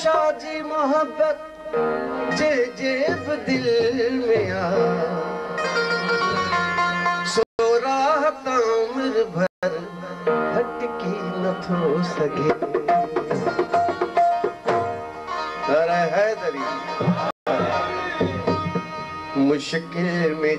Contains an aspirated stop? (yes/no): yes